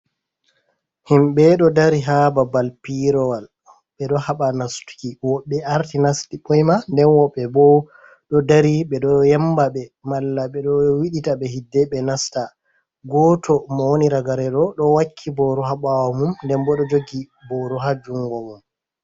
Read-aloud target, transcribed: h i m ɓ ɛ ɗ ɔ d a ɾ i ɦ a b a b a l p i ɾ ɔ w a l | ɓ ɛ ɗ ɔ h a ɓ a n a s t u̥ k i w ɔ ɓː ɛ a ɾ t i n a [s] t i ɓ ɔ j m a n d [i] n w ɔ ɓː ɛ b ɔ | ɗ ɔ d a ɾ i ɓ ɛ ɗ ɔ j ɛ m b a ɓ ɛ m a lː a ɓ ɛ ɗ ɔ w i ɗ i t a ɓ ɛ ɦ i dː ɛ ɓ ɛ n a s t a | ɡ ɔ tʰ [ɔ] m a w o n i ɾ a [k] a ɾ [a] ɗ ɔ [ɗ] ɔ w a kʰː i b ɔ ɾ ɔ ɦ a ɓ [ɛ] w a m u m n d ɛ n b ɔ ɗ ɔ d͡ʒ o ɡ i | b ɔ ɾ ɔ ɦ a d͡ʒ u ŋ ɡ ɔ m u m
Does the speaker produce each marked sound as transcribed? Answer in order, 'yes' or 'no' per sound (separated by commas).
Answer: yes, no, yes, no, no, yes, no